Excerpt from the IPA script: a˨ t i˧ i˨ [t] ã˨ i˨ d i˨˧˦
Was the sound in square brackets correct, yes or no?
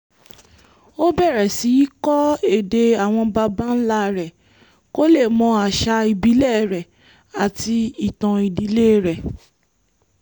yes